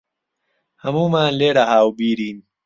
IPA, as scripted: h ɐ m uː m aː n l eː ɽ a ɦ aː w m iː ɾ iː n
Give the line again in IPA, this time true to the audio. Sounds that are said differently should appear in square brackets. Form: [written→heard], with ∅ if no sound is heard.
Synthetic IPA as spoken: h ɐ m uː m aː n l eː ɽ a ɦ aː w [m→b] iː ɾ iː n